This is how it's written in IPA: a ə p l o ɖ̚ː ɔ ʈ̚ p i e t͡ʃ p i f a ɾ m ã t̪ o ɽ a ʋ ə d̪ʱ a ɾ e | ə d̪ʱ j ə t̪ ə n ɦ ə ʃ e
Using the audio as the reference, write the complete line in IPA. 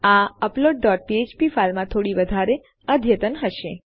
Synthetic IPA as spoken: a ə p l o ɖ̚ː ɔ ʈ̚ p i e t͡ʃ p i f a l m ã t̪ʰ o ɽ i ʋ ə d̪ʱ a ɾ e | ə d̪ʱ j ə t̪ ə n ɦ ə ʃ e